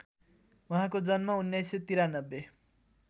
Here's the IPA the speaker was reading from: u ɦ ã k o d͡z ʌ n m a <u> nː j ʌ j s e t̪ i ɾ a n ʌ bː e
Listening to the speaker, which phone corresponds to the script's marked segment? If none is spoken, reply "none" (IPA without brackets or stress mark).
u